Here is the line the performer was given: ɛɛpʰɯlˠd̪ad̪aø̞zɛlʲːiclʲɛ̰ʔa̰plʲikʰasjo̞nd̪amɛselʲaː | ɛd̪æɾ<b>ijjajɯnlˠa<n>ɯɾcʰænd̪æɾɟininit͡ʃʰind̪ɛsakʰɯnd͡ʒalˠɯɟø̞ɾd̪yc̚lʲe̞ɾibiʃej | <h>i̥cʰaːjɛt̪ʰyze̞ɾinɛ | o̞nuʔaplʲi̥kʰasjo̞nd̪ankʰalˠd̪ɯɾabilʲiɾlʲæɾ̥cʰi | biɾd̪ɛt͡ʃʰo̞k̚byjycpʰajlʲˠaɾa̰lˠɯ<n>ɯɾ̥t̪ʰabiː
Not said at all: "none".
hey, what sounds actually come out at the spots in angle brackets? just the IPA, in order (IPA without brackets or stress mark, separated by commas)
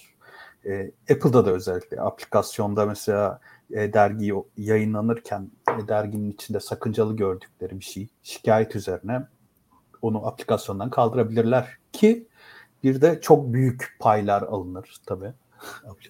ɟ, n, ʃ, n